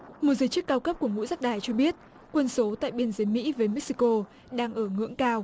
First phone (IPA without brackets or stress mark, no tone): m